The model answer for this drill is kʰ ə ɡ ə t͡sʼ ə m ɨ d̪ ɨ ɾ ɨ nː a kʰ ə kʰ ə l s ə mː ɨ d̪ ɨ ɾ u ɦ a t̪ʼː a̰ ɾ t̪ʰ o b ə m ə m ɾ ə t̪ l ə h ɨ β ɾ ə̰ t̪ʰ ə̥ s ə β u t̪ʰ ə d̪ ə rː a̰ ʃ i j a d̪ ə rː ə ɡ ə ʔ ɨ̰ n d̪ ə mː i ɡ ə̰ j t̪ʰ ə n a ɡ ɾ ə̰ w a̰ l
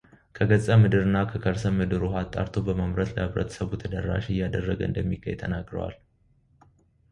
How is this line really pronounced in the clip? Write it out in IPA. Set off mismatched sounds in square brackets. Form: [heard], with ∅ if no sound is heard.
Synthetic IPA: kʰ ə ɡ ə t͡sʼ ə m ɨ d̪ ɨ ɾ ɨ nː a kʰ ə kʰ ə [ɾ] s ə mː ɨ d̪ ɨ ɾ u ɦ a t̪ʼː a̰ ɾ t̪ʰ o b ə m ə m ɾ ə t̪ l ə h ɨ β ɾ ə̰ t̪ʰ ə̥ s ə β u t̪ʰ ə d̪ ə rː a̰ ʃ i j a d̪ ə rː ə ɡ ə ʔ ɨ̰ n d̪ ə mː i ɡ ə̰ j t̪ʰ ə n a ɡ ɾ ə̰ w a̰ l